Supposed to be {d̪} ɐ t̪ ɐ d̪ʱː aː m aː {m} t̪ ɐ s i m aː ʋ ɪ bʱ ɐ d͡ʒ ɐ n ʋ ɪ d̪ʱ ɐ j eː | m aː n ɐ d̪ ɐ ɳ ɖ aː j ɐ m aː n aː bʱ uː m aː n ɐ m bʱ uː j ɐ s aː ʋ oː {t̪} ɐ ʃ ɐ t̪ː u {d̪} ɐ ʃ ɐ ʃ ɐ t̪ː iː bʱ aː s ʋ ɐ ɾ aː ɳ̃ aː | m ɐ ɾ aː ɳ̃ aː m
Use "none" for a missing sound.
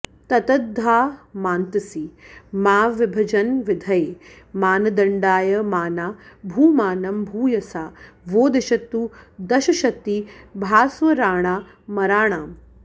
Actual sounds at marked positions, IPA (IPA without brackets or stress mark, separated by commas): t̪, n, d̪, d̪